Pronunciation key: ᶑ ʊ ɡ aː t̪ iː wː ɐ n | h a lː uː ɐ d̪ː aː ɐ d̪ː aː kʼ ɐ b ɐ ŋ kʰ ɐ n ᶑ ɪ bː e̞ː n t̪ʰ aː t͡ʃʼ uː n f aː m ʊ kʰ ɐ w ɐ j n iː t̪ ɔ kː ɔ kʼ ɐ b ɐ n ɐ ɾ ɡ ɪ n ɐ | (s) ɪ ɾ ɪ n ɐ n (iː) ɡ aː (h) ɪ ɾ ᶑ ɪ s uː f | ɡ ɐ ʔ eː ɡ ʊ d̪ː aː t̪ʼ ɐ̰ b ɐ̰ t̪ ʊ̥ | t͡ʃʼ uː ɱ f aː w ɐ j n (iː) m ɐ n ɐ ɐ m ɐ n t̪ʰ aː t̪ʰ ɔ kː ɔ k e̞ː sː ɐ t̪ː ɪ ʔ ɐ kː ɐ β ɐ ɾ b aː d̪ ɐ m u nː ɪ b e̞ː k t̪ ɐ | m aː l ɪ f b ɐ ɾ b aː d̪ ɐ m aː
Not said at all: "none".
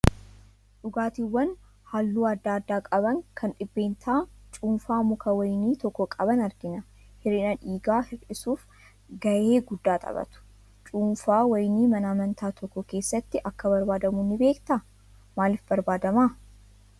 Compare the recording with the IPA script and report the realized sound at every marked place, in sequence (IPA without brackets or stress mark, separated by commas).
h, iː, h, iː